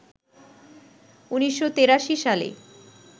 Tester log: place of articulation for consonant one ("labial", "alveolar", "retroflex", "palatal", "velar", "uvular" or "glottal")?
alveolar